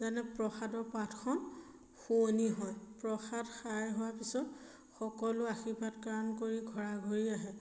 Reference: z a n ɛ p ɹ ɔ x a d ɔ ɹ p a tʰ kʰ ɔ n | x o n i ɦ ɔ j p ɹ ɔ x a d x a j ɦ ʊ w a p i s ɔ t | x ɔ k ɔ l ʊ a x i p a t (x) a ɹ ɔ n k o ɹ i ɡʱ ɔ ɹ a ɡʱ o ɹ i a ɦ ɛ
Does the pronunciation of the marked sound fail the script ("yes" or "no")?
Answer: yes